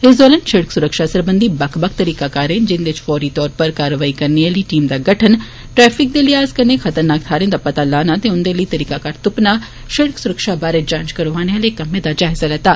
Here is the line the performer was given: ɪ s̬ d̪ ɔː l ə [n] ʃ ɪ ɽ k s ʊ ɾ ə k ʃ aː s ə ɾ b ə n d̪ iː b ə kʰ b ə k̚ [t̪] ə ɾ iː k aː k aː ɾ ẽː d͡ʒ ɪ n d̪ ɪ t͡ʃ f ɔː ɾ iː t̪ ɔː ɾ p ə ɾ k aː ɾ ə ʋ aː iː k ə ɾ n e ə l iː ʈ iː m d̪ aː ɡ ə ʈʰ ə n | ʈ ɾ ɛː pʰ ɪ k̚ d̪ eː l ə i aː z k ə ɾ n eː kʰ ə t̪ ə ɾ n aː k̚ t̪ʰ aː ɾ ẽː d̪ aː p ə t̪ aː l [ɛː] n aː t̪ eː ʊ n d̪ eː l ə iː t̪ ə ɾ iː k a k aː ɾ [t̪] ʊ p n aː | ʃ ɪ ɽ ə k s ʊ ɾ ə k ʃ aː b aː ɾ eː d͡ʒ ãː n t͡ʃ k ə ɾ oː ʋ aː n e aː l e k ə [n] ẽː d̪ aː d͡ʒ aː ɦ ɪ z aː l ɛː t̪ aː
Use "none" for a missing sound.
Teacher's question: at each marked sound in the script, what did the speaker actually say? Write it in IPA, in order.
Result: n, t̪, aː, t̪, m

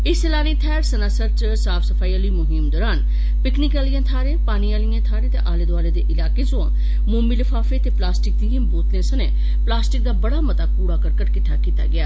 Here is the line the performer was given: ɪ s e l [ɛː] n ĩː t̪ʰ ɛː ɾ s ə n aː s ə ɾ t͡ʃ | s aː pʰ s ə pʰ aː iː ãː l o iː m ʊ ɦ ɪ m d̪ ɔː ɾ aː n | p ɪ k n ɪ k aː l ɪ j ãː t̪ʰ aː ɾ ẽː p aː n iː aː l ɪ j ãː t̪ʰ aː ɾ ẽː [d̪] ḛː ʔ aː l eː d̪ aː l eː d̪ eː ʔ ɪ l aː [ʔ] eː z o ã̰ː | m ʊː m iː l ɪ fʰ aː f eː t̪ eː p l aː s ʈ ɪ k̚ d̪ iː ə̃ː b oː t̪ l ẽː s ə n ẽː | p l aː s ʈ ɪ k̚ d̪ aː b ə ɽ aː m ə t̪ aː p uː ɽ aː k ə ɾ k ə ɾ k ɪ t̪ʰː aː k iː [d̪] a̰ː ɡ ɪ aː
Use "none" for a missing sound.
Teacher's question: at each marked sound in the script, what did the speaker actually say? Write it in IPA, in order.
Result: aː, t̪, k, t̪

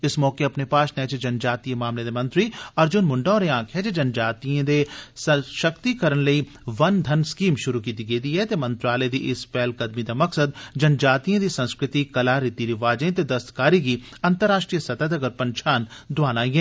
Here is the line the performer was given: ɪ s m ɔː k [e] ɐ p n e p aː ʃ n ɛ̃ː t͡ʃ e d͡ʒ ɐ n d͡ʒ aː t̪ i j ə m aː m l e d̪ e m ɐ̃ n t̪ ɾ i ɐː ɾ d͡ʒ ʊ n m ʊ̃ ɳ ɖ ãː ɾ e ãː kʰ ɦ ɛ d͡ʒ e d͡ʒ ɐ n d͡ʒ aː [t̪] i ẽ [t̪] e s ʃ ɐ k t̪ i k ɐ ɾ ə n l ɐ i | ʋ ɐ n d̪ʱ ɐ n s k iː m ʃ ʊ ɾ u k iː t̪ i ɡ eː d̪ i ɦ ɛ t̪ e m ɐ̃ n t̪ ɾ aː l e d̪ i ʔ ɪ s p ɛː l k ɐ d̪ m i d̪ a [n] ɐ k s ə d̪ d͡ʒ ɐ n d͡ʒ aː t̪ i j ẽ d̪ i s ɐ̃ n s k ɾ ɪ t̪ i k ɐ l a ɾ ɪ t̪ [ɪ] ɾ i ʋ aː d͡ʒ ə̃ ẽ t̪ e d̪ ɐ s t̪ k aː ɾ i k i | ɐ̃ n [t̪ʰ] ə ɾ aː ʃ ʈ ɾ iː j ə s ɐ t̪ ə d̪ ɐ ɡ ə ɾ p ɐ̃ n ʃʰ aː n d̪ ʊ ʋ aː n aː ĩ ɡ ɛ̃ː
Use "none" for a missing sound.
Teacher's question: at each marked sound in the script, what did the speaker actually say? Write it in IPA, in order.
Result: e, t̪, d̪, m, i, t̪

